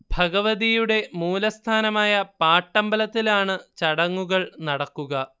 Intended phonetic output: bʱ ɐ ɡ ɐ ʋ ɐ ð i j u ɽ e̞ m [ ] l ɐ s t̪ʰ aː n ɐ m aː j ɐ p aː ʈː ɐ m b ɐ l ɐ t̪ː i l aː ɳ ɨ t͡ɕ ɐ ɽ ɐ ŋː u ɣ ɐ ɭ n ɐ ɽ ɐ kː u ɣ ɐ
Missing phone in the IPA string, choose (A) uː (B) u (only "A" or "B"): A